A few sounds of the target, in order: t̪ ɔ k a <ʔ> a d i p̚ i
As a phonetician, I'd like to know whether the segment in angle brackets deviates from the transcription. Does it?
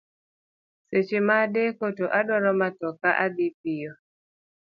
no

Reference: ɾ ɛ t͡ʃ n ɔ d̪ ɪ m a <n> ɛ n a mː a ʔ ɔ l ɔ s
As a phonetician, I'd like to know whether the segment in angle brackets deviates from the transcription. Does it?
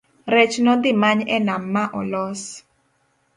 yes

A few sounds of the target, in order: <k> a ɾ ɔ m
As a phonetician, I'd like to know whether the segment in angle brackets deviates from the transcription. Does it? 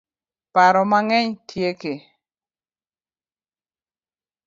yes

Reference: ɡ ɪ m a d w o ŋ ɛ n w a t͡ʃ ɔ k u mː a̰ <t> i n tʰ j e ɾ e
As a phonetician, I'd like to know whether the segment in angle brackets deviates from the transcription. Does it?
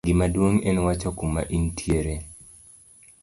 yes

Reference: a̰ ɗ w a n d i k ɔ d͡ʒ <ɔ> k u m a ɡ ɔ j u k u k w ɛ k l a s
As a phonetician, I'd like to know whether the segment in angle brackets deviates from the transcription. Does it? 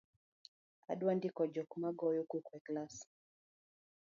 no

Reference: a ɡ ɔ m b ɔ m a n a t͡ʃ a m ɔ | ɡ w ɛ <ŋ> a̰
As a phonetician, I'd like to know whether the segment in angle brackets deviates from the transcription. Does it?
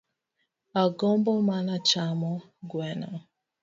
yes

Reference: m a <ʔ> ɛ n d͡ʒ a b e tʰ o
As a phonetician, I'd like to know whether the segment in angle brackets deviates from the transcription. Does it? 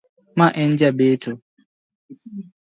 no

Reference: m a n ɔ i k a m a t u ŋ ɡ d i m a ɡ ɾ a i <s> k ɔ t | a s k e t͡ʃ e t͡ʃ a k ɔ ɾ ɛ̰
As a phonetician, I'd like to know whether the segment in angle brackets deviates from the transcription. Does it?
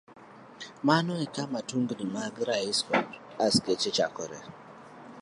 no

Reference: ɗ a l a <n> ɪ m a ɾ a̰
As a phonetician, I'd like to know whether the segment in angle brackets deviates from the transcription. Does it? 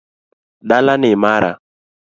no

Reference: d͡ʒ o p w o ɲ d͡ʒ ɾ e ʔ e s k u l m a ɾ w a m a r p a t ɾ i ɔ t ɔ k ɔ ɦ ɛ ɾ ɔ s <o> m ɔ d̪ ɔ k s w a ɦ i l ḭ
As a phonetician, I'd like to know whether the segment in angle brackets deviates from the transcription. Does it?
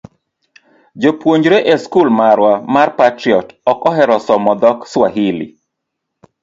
yes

